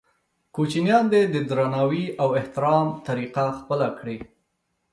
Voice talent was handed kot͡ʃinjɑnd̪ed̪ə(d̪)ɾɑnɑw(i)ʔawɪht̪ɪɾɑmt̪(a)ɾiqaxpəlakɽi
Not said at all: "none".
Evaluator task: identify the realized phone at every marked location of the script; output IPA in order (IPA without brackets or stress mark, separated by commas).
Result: d̪, i, a